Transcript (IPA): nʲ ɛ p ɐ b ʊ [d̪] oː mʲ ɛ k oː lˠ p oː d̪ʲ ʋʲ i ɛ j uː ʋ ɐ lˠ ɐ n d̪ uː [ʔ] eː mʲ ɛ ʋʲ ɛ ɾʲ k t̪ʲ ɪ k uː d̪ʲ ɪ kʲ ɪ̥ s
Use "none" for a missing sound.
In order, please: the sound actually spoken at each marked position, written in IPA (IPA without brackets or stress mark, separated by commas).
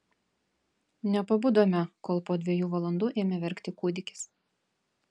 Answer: d̪, ʔ